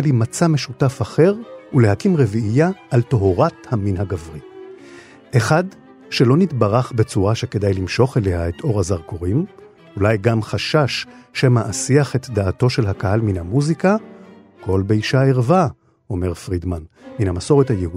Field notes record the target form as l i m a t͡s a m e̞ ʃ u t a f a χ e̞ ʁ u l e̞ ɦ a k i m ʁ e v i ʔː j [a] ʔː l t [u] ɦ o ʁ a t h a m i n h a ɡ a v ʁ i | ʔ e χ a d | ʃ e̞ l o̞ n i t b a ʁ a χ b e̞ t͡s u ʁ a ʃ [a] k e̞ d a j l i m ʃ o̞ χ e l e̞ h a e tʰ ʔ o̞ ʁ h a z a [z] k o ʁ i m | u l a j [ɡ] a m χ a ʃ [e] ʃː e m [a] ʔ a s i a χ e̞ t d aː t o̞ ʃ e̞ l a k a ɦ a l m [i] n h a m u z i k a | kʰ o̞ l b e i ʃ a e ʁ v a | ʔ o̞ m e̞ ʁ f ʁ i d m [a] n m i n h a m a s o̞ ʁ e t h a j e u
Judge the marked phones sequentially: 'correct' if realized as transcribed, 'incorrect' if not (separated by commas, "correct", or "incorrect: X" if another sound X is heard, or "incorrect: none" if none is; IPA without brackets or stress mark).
correct, incorrect: o, incorrect: e, incorrect: ʁ, correct, incorrect: a, correct, correct, correct